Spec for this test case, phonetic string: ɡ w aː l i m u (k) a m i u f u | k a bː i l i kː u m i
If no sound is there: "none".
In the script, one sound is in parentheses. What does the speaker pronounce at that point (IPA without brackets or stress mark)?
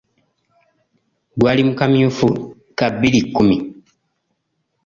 k